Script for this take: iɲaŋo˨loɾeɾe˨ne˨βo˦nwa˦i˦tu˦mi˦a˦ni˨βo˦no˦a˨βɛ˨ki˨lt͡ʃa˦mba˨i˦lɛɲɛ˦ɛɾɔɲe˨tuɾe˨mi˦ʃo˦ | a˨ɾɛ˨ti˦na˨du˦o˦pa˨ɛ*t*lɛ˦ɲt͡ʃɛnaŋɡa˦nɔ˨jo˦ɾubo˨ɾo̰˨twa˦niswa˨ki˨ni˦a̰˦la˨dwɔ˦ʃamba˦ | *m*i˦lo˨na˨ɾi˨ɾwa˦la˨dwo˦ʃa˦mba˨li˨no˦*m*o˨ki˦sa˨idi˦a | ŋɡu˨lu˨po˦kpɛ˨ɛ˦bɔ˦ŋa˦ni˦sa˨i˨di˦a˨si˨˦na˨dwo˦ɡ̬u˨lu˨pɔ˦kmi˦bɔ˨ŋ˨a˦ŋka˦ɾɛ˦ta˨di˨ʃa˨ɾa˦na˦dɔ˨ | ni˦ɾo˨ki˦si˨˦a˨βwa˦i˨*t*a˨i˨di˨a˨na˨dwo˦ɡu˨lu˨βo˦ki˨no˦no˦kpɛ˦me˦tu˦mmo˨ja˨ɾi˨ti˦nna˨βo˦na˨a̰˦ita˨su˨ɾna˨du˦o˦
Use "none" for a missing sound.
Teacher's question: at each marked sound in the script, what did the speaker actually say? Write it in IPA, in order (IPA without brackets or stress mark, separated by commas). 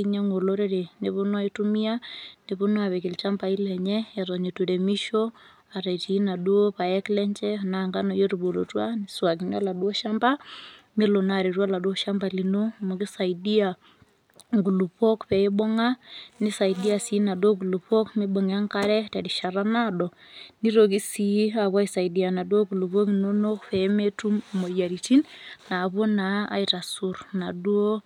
k, m, m, s